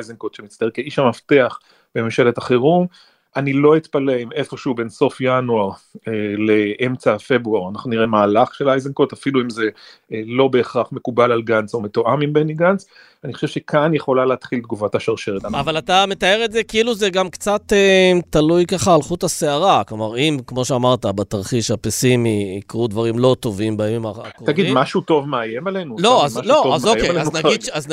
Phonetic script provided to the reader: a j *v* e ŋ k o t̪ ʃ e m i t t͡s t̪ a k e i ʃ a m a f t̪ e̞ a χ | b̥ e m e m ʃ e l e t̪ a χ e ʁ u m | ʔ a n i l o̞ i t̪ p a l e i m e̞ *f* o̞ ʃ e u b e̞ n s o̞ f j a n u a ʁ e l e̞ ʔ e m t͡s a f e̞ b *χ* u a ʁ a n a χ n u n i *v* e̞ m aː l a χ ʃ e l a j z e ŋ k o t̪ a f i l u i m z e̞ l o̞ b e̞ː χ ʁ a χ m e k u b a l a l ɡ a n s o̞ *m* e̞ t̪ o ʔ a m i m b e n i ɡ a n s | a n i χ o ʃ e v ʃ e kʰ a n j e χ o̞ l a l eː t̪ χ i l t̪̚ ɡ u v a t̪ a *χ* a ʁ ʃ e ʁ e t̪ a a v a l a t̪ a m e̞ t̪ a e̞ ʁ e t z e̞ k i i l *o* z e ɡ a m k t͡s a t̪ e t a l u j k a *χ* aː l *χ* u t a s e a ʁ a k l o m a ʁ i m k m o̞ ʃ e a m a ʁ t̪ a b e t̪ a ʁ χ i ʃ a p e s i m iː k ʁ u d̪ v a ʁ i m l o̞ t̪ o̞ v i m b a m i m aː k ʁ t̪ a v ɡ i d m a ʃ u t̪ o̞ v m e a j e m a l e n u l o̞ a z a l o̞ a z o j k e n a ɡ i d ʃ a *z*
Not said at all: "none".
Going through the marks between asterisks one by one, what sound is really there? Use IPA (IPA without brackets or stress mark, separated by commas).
z, f, ʁ, ʁ, m, ʃ, u, χ, χ, z